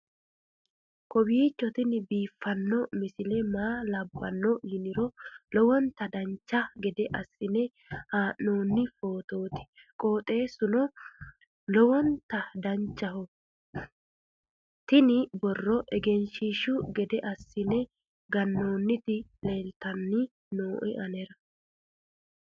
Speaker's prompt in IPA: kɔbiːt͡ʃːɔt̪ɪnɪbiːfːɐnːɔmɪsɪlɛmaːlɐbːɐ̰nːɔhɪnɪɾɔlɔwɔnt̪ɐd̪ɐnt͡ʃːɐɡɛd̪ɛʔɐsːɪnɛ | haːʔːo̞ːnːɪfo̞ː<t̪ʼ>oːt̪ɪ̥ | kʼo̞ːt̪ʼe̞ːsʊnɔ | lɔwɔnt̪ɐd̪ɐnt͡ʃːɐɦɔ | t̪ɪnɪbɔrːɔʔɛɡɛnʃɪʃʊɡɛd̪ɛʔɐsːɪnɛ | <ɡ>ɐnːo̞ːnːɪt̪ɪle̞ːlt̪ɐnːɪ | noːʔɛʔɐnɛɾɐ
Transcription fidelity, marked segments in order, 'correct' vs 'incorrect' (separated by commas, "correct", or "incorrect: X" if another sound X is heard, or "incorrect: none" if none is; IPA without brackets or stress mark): incorrect: t̪, correct